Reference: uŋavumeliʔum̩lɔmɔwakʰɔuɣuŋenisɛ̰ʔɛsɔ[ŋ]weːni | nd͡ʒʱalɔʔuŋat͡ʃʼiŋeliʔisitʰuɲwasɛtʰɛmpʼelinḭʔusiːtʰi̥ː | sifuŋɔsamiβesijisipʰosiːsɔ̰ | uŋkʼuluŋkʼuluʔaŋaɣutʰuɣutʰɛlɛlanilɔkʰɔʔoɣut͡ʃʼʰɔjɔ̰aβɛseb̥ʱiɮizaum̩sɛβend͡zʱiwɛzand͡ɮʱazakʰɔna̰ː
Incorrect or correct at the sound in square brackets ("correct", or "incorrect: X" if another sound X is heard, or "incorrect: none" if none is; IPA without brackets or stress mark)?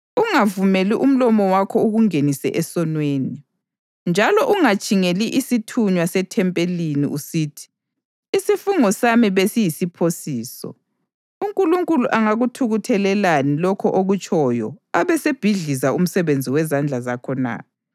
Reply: incorrect: n